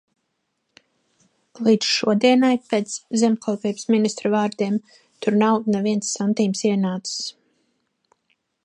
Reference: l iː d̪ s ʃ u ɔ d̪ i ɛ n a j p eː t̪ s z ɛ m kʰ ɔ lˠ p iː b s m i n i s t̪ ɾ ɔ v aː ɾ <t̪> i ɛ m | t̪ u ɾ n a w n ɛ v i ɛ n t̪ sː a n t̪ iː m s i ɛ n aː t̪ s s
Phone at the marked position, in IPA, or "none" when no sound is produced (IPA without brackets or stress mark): d̪